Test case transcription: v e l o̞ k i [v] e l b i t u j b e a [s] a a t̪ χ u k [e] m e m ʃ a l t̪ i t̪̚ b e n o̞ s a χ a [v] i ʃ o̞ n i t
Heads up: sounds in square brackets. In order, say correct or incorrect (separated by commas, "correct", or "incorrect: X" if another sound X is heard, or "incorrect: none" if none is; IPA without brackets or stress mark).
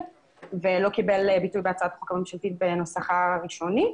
incorrect: b, incorrect: t͡s, incorrect: a, incorrect: ʁ